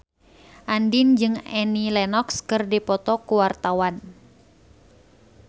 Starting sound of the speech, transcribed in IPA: ʔ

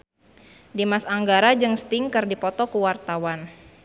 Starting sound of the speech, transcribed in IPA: d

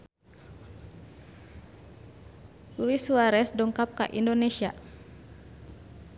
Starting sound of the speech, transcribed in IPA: l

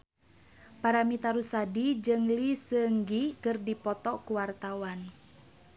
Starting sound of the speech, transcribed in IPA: p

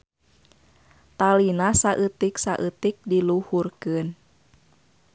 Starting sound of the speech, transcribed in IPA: t̪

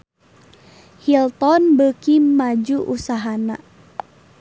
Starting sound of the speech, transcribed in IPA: h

